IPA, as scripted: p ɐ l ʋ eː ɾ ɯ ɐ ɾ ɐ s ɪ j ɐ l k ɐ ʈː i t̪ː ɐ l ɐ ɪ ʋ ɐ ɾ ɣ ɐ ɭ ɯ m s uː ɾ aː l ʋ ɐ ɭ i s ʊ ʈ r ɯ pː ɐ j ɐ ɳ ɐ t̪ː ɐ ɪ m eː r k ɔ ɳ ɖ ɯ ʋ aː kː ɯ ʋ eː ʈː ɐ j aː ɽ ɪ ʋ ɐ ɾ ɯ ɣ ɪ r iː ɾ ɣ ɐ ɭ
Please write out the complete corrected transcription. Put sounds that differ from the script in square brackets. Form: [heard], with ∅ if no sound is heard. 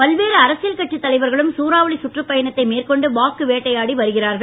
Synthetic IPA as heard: p ɐ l ʋ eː ɾ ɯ ɐ ɾ ɐ s ɪ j ɐ l k ɐ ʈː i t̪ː ɐ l ɐ ɪ ʋ ɐ ɾ ɣ ɐ ɭ ɯ m s uː ɾ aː [∅] ʋ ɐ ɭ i s ʊ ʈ r ɯ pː ɐ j ɐ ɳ ɐ t̪ː ɐ ɪ m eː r k ɔ ɳ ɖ ɯ ʋ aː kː ɯ ʋ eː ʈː ɐ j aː ɽ [i] ʋ ɐ ɾ ɯ ɣ ɪ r [aː] ɾ ɣ ɐ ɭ